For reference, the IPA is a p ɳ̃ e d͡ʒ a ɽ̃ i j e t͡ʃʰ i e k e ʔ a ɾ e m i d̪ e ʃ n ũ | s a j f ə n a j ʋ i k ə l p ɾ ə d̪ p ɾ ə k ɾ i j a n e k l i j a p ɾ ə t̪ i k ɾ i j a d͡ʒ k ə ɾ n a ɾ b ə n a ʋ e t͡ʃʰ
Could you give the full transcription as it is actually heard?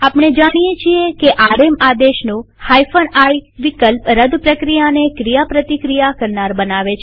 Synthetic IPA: a p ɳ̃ e d͡ʒ a ɽ̃ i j e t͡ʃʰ i e k e ʔ a ɾ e m a d̪ e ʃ n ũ | h a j f ə n a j ʋ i k ə l p ɾ ə d̪ p ɾ ə k ɾ i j a n e k ɾ i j a p ɾ ə t̪ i k ɾ i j a k ə ɾ n a ɾ b ə n a ʋ e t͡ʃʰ